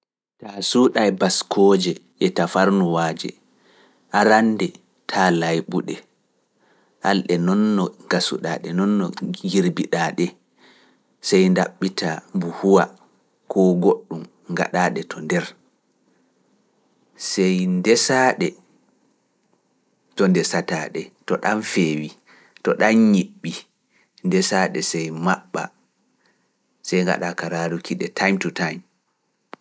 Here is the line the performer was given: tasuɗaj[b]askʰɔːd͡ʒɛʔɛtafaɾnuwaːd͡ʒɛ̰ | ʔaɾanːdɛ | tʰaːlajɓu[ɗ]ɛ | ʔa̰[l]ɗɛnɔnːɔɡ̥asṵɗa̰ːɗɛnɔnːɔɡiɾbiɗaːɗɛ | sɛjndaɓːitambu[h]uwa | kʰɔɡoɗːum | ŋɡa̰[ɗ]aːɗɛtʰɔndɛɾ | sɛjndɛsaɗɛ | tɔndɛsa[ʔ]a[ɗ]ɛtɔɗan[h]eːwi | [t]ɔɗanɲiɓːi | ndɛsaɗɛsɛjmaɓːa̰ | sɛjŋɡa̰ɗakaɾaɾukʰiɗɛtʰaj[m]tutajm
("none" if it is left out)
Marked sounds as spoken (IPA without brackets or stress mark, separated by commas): b, ɗ, l, h, ɗ, t, ɗ, f, t, m